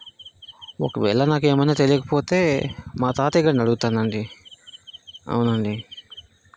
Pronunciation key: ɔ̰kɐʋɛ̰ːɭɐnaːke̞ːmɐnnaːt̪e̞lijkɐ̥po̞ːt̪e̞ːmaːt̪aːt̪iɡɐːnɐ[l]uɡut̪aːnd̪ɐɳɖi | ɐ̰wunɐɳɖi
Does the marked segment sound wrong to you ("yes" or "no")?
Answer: yes